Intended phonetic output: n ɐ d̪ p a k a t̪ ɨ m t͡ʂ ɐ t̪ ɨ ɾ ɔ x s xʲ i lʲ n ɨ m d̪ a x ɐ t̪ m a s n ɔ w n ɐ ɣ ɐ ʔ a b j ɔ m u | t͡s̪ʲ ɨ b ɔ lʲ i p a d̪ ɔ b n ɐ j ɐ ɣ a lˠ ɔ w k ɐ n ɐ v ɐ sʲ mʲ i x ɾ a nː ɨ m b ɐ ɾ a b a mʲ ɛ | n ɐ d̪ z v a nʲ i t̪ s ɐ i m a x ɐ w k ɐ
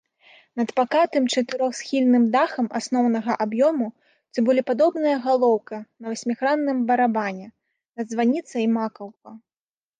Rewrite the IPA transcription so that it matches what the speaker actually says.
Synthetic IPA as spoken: n ɐ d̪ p a k a t̪ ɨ m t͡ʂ ɐ t̪ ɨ ɾ ɔ x s xʲ i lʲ n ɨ m d̪ a x ɐ m a s n ɔ w n ɐ ɣ ɐ ʔ a b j ɔ m u | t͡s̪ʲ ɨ b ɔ lʲ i p a d̪ ɔ b n ɐ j ɐ ɣ a lˠ ɔ w k ɐ n ɐ v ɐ sʲ mʲ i x ɾ a nː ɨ m b ɐ ɾ a b a nʲ ɛ | n ɐ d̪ z v a nʲ i t̪ s ɐ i m a k ɐ w k ɐ